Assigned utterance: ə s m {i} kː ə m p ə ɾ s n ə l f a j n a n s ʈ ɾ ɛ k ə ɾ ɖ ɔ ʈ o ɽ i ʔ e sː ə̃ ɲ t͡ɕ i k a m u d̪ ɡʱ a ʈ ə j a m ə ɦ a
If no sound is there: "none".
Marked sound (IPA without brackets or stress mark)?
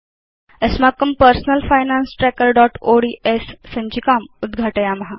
a